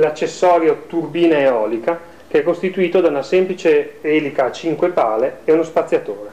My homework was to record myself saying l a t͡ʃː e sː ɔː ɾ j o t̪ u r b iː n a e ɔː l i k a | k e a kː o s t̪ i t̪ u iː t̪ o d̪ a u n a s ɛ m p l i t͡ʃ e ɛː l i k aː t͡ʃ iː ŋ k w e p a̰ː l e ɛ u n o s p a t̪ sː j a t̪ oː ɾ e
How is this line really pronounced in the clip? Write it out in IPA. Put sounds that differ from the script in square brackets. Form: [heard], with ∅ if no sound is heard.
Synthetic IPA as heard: l a t͡ʃː e sː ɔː ɾ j o t̪ u r b iː n a e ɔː l i k a | k e [ɛ] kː o s t̪ i t̪ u iː t̪ o d̪ a u n a s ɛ m p l i t͡ʃ e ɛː l i k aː t͡ʃ [i] ŋ k w e p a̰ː l e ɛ u n o s p a t̪ sː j a t̪ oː ɾ e